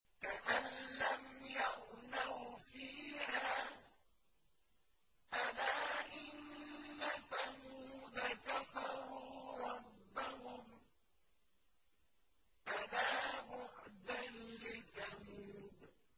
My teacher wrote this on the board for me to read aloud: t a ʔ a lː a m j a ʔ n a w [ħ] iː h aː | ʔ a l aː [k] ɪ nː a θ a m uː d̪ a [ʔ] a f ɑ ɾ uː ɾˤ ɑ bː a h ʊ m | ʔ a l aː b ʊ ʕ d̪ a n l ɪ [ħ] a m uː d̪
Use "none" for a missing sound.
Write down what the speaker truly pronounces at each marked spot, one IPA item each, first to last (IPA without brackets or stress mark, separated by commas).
f, ʔ, k, θ